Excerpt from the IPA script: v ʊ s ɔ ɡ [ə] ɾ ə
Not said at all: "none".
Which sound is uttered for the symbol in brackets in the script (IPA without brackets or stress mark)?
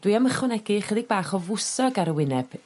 a